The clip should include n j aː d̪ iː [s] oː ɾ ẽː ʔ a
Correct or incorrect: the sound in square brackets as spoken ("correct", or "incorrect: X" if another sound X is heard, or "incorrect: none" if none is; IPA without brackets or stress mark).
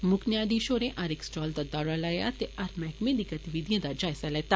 incorrect: ʃ